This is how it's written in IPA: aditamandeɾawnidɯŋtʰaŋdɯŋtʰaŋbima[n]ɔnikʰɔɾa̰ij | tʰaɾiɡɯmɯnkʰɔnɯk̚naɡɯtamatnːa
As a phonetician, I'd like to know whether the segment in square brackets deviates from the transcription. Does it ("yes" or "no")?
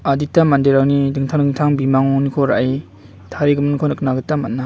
yes